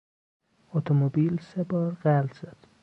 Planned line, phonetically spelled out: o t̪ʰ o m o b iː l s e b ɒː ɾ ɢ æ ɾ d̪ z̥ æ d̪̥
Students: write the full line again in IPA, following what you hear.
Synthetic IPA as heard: o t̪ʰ o m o b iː l s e b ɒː ɾ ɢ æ l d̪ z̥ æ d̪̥